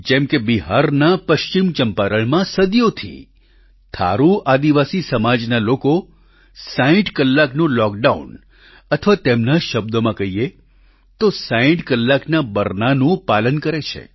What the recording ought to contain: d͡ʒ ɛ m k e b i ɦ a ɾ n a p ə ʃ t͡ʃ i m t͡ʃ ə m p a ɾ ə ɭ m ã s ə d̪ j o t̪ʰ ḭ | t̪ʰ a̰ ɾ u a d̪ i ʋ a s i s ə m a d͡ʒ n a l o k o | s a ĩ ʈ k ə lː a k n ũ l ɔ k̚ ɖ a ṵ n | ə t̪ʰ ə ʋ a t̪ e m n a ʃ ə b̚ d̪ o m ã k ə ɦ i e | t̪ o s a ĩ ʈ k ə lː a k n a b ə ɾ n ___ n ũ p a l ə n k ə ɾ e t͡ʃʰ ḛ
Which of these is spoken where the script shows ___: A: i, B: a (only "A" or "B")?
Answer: B